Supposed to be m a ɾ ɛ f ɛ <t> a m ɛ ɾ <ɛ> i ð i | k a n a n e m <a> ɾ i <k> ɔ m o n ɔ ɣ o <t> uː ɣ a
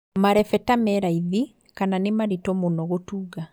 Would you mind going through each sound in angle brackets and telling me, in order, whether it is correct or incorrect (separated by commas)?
correct, incorrect, correct, incorrect, correct